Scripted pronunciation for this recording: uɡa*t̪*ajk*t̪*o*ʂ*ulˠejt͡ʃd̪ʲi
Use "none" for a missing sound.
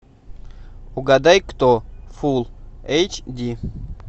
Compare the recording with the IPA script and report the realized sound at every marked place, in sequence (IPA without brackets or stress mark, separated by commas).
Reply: d̪, t̪, f